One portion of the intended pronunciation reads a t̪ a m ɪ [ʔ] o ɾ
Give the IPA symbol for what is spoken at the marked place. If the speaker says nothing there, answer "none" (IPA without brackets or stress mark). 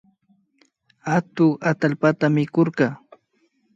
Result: k